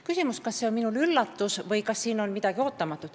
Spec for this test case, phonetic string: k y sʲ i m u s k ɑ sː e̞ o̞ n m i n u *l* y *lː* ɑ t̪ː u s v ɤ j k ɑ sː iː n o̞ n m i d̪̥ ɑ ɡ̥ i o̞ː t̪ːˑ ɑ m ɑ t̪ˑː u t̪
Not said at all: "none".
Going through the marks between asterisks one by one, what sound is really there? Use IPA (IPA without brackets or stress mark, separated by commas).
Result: l, lː